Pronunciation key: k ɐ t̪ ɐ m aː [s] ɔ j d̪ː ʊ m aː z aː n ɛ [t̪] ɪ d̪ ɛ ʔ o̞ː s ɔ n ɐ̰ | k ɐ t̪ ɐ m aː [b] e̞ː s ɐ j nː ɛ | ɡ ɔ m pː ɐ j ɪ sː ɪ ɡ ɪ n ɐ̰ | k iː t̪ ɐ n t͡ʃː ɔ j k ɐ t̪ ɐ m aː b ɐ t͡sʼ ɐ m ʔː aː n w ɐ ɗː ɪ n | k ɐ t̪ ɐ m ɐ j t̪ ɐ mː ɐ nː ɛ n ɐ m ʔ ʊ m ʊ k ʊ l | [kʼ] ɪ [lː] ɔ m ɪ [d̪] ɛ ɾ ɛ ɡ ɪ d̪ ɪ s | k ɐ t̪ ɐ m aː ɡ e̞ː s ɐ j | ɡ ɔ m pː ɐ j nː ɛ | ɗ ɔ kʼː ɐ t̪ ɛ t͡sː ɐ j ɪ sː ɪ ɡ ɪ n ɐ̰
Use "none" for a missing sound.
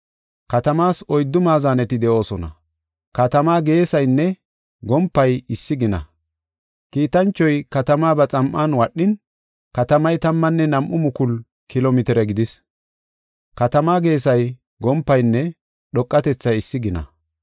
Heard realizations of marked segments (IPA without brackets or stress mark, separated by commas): s, t̪, ɡ, k, l, t̪